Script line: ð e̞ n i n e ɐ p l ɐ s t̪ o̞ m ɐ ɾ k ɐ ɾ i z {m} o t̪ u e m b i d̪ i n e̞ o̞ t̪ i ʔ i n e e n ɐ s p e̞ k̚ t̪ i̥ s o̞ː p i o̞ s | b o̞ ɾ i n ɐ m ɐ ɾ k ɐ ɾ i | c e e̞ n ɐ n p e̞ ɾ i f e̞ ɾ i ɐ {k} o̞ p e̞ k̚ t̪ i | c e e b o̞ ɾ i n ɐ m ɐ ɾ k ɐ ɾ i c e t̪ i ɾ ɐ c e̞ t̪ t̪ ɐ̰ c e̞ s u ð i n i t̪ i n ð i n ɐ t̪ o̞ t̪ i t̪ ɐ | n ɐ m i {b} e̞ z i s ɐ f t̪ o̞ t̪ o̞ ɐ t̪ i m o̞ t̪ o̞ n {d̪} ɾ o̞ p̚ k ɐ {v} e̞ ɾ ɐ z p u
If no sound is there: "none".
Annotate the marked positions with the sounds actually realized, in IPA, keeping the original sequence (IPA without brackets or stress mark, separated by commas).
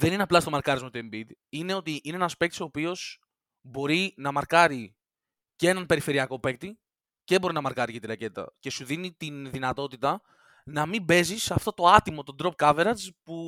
m, k, b, d̪, v